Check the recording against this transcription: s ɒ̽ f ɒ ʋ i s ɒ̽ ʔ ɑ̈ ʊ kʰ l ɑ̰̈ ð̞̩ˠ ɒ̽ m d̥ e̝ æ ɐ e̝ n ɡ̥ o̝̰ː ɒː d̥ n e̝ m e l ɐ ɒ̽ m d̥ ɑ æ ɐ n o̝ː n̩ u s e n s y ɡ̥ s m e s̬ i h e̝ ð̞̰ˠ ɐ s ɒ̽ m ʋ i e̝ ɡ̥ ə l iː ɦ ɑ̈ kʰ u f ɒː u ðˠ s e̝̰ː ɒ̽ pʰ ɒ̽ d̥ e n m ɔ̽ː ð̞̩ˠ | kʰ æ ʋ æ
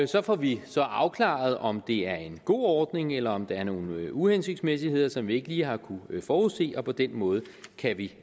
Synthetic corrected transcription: s ɒ̽ f ɒ ʋ i s ɒ̽ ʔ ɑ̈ ʊ kʰ l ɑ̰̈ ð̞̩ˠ ɒ̽ m d̥ e̝ æ ɐ e̝ n ɡ̥ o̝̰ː ɒː d̥ n e̝ ŋ e l ɐ ɒ̽ m d̥ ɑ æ ɐ n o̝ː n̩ u h e n s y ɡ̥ s m e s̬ i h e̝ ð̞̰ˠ ɐ s ɒ̽ m ʋ i e̝ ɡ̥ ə l iː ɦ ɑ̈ kʰ u f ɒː u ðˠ s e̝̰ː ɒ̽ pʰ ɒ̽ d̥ e n m ɔ̽ː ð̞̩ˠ | kʰ æ ʋ i